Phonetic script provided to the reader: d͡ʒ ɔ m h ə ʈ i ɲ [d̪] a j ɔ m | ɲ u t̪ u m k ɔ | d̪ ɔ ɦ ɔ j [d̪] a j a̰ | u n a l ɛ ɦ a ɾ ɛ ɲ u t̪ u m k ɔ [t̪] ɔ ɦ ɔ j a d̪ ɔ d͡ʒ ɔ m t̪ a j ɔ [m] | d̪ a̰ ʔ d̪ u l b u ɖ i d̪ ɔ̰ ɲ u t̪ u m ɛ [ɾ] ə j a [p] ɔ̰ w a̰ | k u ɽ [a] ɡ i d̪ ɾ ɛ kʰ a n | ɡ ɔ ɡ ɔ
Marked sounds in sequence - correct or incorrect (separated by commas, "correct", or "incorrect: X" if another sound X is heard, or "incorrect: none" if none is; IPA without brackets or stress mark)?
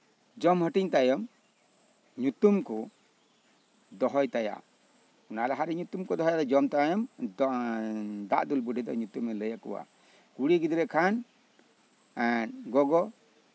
incorrect: t̪, incorrect: t̪, incorrect: d̪, correct, incorrect: l, incorrect: k, incorrect: i